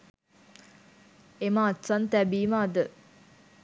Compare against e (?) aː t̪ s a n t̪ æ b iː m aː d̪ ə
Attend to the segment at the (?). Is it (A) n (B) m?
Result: B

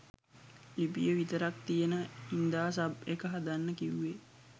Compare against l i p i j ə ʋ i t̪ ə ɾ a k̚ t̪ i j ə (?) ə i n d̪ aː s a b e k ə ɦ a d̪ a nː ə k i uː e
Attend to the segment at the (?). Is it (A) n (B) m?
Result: A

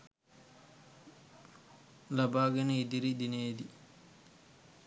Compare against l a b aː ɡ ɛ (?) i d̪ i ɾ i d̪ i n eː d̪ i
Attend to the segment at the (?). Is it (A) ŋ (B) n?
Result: B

